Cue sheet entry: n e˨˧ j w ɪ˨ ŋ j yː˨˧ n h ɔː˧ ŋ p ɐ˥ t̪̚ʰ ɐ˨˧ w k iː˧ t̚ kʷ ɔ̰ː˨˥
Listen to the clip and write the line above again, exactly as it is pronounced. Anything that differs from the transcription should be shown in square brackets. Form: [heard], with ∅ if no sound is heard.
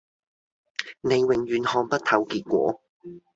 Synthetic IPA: n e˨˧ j w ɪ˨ ŋ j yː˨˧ n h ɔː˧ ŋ p ɐ˥ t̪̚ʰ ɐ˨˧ w k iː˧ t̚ kʷ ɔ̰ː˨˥